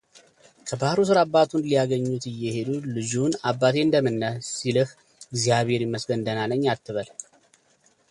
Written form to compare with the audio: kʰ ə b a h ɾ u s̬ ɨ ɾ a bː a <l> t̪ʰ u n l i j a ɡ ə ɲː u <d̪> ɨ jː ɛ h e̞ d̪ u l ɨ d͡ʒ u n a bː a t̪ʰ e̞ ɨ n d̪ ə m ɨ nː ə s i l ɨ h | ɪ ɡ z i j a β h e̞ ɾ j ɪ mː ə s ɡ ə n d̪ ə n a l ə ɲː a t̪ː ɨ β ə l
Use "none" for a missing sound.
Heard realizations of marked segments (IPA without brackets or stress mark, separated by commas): none, t̪